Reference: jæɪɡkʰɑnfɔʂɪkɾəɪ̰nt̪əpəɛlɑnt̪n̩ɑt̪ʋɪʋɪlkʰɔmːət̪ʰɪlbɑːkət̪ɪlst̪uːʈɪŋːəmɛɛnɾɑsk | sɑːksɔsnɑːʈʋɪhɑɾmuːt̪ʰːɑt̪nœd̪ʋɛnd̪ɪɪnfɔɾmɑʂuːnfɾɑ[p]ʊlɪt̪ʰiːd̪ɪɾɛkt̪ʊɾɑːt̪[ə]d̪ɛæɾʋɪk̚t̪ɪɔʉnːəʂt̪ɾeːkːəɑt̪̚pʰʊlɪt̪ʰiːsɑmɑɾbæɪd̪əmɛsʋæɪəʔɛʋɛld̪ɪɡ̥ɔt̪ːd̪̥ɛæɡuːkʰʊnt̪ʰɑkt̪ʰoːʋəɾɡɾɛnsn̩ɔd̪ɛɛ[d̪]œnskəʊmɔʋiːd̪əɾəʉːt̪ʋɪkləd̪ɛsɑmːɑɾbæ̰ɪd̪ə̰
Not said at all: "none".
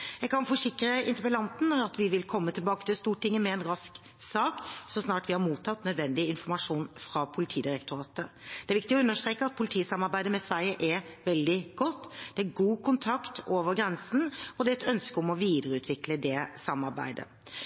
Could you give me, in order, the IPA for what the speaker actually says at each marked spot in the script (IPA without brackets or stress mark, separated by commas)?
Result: pʰ, ə, t̪